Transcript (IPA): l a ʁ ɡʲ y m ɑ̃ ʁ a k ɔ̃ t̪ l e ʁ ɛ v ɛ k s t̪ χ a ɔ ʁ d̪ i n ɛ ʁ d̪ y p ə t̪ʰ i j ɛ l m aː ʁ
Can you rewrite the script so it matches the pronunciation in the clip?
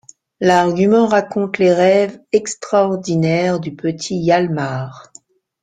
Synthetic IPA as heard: l a ʁ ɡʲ y m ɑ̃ ʁ a k ɔ̃ t̪ l e ʁ ɛ v ɛ k s t̪ χ a ɔ ʁ d̪ i n ɛ ʁ d̪ y p ə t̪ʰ i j a l m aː ʁ